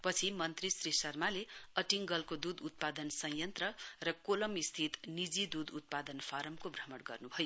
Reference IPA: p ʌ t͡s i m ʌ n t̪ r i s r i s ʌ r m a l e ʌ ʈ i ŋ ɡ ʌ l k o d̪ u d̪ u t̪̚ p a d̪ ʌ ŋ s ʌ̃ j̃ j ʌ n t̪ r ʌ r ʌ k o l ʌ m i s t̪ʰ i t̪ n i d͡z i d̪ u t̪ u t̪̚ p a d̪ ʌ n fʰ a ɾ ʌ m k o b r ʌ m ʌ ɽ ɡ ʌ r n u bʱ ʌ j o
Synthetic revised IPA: p ʌ t͡sʰ i m ʌ n t̪ r i s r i s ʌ r m a l e ʌ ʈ i ŋ ɡ ʌ l k o d̪ u d̪ u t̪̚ p a d̪ ʌ n s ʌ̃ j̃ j ʌ n t̪ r ʌ r ʌ k o l ʌ m i s t̪ʰ i t̪ n i d͡z i d̪ u d̪ u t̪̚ p a d̪ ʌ n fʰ a ɾ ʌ m k o b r ʌ m ʌ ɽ ɡ ʌ r n u bʱ ʌ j o